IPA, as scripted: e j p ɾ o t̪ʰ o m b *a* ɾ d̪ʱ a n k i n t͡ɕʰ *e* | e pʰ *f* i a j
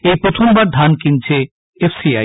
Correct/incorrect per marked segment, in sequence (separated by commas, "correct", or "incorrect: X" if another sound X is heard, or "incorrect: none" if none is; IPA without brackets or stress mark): correct, correct, incorrect: s